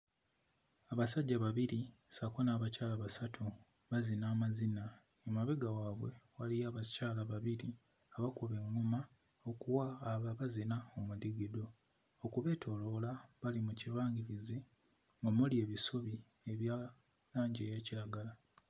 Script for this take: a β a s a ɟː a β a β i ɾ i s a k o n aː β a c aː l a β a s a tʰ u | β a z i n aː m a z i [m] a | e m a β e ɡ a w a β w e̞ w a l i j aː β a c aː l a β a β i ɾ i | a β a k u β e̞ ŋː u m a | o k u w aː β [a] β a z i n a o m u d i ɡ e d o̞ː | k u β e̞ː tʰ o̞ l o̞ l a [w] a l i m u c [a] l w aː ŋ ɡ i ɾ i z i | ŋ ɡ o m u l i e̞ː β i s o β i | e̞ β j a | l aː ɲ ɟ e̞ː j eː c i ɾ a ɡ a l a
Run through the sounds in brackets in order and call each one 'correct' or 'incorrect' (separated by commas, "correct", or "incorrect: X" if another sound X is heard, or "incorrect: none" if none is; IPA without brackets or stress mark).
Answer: incorrect: n, correct, incorrect: β, incorrect: i